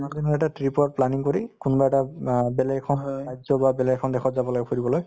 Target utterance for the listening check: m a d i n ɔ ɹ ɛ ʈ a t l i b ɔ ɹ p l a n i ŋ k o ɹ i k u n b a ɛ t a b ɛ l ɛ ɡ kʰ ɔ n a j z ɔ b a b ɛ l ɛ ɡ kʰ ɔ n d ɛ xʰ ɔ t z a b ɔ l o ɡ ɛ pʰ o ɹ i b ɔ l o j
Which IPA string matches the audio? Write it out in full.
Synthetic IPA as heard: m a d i n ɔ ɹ ɛ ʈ a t ɹ i p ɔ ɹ p l a n i ŋ k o ɹ i k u n b a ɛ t a b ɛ l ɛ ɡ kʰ ɔ n a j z ɔ b a b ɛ l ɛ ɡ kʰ ɔ n d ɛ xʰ ɔ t z a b ɔ l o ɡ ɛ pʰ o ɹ i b ɔ l o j